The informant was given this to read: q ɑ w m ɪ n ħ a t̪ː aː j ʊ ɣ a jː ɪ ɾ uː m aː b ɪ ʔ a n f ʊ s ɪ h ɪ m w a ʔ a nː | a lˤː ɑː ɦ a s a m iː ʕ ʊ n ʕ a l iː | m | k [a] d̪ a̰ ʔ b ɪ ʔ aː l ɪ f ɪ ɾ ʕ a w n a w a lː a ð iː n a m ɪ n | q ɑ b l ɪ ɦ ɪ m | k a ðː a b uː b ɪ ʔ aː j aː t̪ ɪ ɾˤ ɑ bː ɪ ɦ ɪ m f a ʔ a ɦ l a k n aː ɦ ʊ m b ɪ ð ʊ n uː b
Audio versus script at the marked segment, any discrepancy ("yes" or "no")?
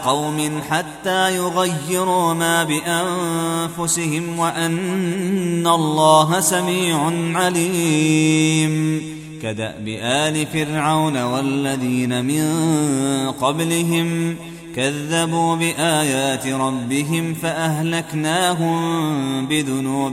no